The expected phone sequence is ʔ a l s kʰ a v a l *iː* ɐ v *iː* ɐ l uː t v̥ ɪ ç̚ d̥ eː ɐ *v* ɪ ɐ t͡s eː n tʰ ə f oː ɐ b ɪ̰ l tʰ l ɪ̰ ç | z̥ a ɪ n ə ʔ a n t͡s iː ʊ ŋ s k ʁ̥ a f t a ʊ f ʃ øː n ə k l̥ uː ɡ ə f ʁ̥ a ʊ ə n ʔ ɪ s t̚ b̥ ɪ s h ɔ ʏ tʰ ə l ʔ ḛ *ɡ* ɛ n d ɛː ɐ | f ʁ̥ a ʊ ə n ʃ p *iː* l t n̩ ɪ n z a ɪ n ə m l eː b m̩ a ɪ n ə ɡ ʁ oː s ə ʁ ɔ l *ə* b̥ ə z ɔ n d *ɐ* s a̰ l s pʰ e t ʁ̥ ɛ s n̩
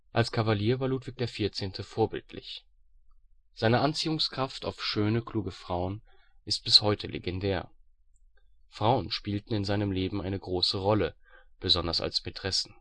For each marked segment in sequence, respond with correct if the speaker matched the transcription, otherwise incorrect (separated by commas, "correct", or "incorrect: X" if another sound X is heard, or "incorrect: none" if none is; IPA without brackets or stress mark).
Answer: correct, incorrect: aː, incorrect: f, correct, correct, correct, correct